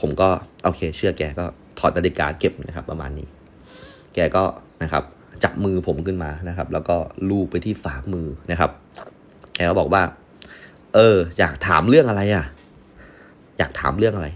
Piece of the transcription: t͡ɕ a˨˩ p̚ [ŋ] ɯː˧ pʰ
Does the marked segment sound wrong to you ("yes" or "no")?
yes